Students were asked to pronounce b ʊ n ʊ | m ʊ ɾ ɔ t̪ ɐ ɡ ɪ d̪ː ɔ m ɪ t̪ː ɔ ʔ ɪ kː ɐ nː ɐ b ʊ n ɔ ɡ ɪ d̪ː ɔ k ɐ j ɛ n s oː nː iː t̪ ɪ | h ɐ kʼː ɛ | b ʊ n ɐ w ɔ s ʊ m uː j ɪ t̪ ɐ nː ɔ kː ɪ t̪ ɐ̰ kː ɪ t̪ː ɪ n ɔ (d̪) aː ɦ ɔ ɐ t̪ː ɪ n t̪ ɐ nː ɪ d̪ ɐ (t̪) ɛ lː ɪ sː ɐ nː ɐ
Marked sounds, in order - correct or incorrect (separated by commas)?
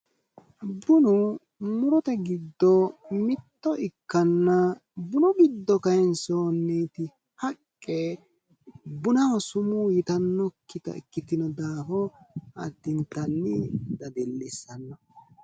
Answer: correct, incorrect